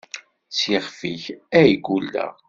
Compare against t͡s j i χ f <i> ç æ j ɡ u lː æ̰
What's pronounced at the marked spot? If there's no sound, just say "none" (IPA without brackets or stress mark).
i